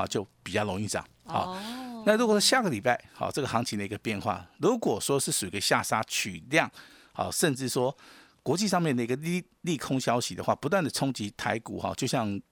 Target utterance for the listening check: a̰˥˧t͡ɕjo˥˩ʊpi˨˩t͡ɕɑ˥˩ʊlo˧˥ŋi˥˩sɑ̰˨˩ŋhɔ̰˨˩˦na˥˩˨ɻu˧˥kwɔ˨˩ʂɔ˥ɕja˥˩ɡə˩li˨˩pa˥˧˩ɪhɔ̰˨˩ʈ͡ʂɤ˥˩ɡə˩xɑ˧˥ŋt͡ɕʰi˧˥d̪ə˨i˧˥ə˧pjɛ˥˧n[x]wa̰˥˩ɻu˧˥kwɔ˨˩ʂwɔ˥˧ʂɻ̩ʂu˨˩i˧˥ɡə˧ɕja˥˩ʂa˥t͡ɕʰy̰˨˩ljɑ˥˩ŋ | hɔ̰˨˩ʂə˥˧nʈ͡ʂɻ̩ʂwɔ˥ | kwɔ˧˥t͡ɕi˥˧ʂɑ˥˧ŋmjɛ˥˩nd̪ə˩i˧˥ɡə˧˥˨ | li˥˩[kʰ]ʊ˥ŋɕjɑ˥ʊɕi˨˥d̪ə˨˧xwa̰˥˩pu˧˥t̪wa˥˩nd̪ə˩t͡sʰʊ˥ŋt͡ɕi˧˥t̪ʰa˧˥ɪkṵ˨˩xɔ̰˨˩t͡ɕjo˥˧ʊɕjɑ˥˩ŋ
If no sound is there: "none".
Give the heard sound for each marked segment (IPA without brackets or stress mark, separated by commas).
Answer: x, kʰ